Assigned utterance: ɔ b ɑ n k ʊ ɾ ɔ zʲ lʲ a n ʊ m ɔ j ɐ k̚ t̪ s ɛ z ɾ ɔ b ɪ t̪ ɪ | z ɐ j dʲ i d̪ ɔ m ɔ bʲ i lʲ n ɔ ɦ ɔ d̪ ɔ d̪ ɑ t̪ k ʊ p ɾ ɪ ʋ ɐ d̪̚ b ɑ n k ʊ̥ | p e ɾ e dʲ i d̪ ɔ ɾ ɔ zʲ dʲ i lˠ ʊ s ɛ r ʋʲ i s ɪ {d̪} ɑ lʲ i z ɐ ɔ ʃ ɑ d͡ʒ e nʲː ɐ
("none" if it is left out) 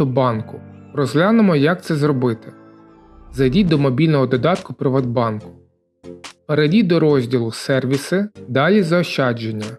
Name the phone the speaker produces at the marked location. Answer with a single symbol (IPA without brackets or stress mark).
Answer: d̪